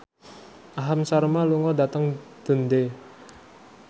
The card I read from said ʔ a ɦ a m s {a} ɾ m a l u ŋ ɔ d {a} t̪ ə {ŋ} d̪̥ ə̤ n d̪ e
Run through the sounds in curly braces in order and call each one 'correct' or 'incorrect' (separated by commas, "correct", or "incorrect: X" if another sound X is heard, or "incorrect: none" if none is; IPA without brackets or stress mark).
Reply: correct, correct, correct